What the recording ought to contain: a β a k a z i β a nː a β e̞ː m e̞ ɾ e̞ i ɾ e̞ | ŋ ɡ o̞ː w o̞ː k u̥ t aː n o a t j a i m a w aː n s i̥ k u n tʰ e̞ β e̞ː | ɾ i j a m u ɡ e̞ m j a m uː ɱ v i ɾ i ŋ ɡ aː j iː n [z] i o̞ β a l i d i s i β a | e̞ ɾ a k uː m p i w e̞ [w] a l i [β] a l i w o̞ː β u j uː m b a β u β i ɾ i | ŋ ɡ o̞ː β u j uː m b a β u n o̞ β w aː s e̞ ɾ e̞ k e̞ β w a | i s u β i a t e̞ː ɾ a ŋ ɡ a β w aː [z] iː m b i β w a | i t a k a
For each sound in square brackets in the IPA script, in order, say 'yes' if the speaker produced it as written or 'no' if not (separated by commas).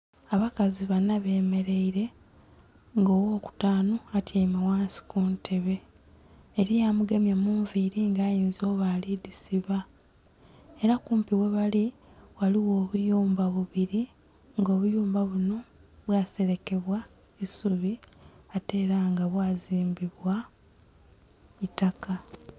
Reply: yes, no, no, yes